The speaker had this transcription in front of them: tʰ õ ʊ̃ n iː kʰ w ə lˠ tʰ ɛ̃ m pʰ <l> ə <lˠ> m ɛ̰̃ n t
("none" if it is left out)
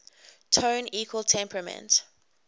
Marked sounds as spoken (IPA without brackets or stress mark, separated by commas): ɹ, none